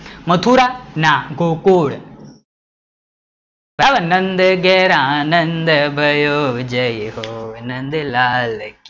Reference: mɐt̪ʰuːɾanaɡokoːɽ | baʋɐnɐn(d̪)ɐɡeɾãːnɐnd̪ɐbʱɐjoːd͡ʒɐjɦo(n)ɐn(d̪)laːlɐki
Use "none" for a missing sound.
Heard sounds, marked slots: d̪, n, d̪

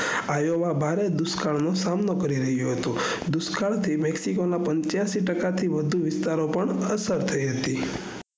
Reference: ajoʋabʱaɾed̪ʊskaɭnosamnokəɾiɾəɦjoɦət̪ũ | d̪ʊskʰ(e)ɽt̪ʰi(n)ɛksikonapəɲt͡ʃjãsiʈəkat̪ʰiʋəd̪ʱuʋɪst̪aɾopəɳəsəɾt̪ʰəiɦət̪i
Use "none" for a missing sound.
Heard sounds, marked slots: a, m

